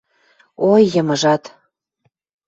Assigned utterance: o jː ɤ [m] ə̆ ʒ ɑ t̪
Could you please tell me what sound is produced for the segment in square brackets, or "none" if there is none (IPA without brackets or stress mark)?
m